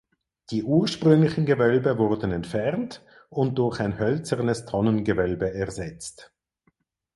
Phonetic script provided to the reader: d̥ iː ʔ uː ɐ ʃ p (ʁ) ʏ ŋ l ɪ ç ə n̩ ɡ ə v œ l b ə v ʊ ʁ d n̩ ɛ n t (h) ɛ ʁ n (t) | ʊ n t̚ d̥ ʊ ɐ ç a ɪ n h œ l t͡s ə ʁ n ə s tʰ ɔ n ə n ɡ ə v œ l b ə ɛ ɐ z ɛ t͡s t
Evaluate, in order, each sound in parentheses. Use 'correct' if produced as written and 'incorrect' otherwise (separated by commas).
correct, incorrect, correct